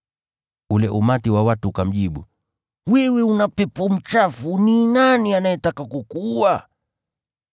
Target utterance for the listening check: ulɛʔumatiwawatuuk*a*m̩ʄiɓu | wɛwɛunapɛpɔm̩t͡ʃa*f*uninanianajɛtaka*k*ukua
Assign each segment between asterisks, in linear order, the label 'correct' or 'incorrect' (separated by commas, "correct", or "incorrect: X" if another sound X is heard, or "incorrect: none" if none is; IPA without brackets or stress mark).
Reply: correct, correct, correct